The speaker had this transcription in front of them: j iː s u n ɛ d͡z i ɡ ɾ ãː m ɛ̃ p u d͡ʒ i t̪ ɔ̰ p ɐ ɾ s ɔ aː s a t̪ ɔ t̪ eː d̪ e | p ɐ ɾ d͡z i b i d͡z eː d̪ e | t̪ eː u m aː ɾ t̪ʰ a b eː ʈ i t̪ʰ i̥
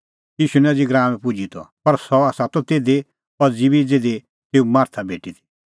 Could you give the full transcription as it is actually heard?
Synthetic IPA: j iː ʃ u n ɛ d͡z i ɡ ɾ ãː m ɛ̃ p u d͡ʒ i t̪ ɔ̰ p ɐ ɾ s ɔ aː s a t̪ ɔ t̪ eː d̪ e | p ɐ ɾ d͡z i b i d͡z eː d̪ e | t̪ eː u m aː ɾ t̪ʰ a b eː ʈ i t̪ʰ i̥